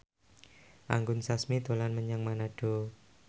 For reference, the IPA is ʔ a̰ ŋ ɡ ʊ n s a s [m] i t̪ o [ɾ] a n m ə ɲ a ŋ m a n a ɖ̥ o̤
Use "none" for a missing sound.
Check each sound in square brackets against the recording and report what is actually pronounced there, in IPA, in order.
m, l

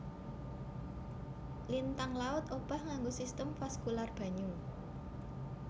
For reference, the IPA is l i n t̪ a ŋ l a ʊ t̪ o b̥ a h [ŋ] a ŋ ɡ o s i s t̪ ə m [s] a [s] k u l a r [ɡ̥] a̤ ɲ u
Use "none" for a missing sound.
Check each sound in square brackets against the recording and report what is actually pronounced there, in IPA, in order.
ŋ, f, s, b̥

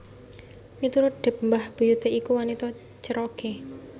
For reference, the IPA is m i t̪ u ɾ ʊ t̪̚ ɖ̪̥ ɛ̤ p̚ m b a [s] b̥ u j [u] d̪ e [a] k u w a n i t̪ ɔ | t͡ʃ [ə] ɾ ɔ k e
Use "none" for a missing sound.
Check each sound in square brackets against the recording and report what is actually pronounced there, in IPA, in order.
h, u, i, ə

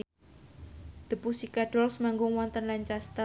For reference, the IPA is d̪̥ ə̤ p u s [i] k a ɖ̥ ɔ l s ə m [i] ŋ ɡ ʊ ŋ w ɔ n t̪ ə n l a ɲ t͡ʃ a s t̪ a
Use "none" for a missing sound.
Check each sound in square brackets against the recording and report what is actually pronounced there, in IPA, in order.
i, a

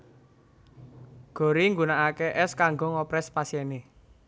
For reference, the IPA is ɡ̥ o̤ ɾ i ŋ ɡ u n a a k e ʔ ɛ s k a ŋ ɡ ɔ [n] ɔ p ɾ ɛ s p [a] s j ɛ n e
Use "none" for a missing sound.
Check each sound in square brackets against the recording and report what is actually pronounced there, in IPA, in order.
ŋ, a

